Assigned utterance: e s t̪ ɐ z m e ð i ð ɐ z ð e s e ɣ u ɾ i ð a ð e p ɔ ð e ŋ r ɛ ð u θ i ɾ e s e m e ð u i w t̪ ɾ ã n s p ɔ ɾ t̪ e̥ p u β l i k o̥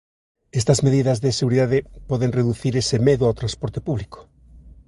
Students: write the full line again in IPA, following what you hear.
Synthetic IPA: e s t̪ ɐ z m e ð i ð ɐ z ð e s e ɣ u ɾ i ð a ð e p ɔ ð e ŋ r e ð u θ i ɾ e s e m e ð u a w t̪ ɾ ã n s p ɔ ɾ t̪ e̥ p u β l i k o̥